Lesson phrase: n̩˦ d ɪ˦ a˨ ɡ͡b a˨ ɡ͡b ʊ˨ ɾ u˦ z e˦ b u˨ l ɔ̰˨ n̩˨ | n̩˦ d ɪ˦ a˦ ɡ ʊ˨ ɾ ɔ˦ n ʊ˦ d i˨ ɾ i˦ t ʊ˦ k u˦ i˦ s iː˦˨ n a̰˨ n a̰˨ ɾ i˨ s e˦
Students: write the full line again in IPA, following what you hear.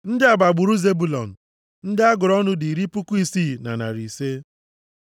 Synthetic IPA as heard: n̩˦ d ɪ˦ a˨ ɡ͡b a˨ ɡ͡b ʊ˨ ɾ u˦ z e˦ b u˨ l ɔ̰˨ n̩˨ | n̩˦ d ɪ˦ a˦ ɡ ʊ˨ ɾ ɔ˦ n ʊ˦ d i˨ ɾ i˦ p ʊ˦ k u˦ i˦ s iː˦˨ n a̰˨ n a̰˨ ɾ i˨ s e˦